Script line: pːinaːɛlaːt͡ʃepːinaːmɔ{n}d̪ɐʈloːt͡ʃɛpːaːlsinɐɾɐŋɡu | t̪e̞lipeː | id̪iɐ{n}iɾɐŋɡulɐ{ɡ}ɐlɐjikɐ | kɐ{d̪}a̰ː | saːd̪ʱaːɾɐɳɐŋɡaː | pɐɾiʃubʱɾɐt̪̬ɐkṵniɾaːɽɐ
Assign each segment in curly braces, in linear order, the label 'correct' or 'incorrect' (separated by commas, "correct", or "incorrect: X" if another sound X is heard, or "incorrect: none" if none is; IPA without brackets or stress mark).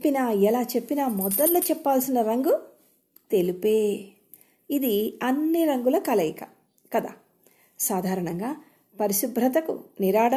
incorrect: none, incorrect: nː, incorrect: k, correct